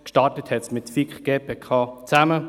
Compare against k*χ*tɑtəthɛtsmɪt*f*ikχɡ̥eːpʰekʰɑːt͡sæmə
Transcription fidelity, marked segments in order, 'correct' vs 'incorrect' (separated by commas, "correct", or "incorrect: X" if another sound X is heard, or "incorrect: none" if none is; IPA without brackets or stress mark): incorrect: ʃ, correct